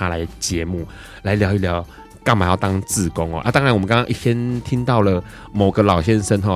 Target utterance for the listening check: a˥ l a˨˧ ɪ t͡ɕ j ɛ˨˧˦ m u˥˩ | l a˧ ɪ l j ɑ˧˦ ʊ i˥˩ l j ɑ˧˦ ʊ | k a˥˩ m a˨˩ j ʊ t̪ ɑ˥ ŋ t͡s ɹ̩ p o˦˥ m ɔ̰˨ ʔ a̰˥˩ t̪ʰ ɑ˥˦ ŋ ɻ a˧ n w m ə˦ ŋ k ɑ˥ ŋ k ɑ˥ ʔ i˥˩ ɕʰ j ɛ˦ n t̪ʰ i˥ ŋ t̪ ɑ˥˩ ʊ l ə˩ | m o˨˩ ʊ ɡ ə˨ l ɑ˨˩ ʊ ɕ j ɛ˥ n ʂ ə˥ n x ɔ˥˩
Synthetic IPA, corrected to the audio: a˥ l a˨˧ ɪ t͡ɕ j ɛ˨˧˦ m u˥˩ | l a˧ ɪ l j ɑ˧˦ ʊ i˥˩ l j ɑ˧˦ ʊ | k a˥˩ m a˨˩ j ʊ t̪ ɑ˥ ŋ t͡s ɹ̩ k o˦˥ ŋ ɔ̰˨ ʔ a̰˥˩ t̪ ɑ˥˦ ŋ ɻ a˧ n w m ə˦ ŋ k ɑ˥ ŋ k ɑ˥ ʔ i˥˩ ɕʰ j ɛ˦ n t̪ʰ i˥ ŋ t̪ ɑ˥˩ ʊ l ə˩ | m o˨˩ ʊ ɡ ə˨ l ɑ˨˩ ʊ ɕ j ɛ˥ n ʂ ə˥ n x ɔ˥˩